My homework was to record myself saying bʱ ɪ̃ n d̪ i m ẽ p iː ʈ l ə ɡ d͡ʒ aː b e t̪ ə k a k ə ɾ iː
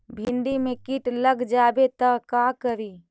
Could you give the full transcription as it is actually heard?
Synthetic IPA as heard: bʱ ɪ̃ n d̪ i m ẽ k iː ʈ l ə ɡ d͡ʒ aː b e t̪ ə k a k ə ɾ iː